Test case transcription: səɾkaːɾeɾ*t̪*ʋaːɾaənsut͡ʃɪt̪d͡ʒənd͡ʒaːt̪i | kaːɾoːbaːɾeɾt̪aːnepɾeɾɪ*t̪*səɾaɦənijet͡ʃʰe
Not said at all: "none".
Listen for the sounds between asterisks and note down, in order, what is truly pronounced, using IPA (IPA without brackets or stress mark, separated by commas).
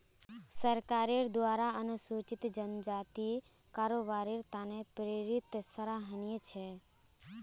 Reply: d̪, t̪